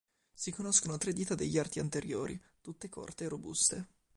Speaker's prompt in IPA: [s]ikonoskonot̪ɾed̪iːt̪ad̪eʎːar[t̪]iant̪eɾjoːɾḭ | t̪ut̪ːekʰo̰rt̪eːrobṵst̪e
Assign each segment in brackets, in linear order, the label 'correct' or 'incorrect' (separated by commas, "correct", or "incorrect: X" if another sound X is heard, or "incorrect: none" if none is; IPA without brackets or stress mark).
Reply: correct, correct